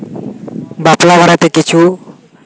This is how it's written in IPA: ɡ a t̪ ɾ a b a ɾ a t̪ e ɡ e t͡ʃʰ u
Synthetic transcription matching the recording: b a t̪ l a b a ɾ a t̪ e k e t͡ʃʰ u